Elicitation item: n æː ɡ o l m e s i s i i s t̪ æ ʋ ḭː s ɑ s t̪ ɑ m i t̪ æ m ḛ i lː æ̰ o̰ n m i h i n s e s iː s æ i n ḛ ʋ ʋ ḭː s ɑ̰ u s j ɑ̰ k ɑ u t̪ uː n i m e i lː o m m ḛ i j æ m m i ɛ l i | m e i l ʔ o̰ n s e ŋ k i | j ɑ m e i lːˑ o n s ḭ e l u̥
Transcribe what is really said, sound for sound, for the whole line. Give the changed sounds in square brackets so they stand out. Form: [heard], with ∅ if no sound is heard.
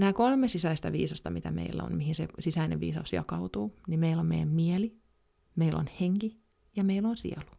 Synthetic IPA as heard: n æː [k] o l m e s i s [æ] i s t̪ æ ʋ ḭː s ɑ s t̪ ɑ m i t̪ æ m ḛ i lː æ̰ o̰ n m i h i n s e s [i] s æ i n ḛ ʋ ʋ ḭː s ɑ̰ u s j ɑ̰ k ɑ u t̪ uː n i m e i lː o m m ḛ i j æ m m i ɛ l i | m e i l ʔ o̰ n [h] e ŋ k i | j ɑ m e i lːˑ o n s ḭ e l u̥